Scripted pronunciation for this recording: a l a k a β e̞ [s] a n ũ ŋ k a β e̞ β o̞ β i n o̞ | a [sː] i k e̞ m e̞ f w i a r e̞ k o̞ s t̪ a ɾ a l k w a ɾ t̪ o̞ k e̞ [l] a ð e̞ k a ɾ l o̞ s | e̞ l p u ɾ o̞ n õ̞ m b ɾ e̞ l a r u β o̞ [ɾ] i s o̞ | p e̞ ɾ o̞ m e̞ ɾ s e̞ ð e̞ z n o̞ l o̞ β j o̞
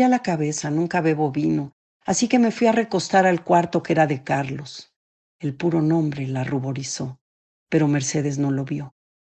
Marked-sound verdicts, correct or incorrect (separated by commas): correct, incorrect, incorrect, correct